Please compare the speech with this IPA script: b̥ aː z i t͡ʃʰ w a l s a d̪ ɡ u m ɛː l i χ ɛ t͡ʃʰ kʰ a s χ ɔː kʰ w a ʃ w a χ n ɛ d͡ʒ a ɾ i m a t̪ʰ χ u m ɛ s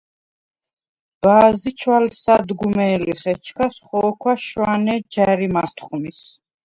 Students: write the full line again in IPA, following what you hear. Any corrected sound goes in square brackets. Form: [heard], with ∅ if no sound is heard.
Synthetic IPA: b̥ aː z i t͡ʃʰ w a l s a d̪ ɡ u m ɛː l i χ ɛ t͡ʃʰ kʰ a s χ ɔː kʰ w a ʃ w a [∅] n ɛ d͡ʒ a ɾ i m a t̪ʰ χ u m [i] s